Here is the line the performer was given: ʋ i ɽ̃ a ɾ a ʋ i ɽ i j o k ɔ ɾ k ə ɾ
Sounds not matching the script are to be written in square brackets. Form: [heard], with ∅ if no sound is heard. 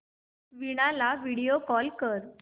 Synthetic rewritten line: ʋ i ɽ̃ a [l] a ʋ i ɽ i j o k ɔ [l] k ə ɾ